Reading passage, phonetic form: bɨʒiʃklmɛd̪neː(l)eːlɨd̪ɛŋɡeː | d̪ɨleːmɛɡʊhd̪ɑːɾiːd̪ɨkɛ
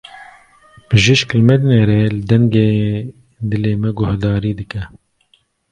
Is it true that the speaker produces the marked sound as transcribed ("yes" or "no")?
no